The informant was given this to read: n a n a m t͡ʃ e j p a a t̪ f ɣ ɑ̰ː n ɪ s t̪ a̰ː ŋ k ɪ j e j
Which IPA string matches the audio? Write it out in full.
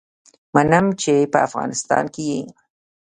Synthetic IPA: m a n a m t͡ʃ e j p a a f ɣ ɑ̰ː n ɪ s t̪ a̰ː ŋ k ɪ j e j